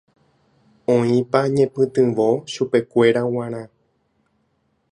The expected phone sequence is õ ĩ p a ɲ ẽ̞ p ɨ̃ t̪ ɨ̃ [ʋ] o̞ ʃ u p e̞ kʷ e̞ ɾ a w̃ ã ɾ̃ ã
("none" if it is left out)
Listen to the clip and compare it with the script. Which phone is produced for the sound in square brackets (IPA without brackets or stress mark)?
ʋ